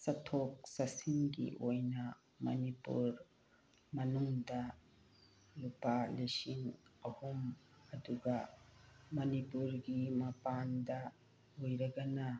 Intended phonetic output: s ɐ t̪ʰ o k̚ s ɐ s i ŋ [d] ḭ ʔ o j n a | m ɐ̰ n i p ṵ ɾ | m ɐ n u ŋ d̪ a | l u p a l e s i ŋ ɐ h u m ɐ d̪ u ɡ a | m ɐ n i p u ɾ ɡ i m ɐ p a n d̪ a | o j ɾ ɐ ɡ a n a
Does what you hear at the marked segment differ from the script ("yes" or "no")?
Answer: yes